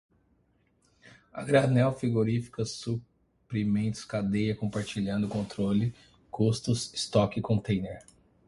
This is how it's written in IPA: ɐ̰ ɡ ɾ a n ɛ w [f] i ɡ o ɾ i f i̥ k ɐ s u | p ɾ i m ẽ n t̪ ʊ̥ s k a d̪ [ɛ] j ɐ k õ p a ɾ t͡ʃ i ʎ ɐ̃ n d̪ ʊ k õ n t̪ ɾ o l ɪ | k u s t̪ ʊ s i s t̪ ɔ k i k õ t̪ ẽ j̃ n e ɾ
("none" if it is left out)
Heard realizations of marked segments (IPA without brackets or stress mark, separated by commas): f, e